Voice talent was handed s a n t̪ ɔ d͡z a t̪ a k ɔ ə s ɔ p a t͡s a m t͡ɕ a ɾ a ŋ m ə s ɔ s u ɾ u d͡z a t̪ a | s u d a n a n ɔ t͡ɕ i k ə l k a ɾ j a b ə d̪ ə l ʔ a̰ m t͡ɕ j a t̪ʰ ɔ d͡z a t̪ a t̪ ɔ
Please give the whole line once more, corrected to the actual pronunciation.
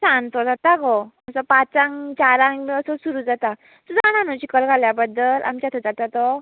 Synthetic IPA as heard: s a n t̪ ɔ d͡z a t̪ a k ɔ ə s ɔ p a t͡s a ŋ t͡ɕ a ɾ a ŋ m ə s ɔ s u ɾ u d͡z a t̪ a | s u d a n a n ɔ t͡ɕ i k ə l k a l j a b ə d̪ ə l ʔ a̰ m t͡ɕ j a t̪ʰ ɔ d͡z a t̪ a t̪ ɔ